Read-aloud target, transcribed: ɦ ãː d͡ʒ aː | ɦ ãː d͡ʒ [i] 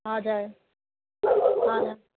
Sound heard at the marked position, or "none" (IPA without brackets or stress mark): a